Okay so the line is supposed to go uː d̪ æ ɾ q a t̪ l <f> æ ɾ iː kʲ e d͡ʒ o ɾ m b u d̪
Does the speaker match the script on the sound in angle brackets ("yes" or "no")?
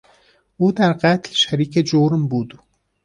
no